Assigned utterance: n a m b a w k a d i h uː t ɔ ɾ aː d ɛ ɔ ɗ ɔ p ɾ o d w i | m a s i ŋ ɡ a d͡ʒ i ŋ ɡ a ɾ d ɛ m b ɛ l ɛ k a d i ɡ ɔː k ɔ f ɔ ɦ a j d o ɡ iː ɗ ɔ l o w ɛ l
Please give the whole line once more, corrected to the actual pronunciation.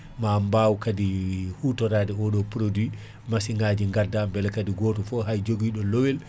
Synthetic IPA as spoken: m a m b a w k a d i h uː t ɔ ɾ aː d ɛ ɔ ɗ ɔ p ɾ o d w i | m a s i ŋ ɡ a d͡ʒ i ŋ ɡ a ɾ d a m b ɛ l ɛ k a d i ɡ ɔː t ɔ f ɔ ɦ a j d͡ʒ o ɡ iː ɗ ɔ l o w ɛ l